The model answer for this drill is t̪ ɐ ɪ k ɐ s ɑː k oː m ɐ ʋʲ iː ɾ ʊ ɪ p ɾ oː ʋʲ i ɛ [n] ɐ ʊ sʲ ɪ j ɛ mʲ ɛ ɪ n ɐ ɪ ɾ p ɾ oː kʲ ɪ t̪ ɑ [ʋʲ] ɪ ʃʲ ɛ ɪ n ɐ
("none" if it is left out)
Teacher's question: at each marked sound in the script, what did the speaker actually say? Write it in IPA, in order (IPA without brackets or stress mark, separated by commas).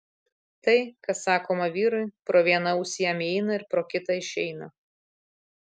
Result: n, none